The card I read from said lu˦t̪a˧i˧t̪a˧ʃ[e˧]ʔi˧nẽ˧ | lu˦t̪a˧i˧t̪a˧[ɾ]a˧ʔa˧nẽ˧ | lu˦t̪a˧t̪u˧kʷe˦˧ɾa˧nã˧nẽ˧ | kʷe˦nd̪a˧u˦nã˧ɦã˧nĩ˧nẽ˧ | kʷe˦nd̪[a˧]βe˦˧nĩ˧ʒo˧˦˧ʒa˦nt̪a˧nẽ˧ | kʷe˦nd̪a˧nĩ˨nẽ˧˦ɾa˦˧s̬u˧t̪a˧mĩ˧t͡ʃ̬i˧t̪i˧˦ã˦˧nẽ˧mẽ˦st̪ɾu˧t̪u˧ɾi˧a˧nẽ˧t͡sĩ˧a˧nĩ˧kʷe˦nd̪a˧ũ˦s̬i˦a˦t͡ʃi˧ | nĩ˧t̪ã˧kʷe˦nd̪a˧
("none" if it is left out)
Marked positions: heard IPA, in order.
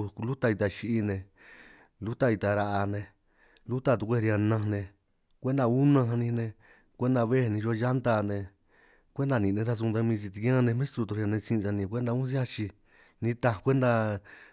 i˧, ɾ, a˧

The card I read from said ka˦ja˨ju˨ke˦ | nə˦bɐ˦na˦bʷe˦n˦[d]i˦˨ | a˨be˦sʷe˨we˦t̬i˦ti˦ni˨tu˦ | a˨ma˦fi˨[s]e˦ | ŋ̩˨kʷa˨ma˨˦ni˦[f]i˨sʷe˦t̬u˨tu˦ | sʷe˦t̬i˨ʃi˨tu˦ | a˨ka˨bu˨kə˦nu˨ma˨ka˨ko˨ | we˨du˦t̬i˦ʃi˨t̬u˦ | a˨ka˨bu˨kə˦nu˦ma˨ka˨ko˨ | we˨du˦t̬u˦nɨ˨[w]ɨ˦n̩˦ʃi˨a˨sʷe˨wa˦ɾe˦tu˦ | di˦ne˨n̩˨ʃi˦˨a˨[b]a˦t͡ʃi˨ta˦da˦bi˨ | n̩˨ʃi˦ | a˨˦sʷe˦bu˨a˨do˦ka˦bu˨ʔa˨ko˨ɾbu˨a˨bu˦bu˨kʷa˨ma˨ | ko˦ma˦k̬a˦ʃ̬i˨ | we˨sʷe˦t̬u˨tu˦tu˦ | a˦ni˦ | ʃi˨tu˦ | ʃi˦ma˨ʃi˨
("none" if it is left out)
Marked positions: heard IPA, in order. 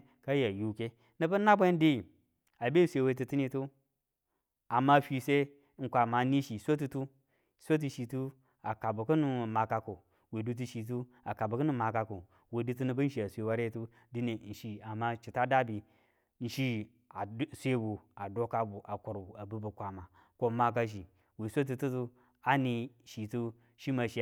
d, s, ʃ, b, m

